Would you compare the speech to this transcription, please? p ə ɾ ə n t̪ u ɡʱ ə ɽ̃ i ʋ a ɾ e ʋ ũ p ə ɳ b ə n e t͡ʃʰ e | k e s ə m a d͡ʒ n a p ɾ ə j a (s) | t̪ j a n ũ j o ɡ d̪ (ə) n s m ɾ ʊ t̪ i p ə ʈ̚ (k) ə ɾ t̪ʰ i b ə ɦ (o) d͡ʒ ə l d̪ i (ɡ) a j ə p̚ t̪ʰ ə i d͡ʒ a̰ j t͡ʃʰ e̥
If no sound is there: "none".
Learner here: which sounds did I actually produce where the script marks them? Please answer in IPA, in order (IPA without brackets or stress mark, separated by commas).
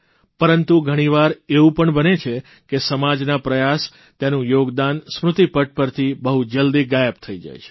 s, a, p, u, ɡ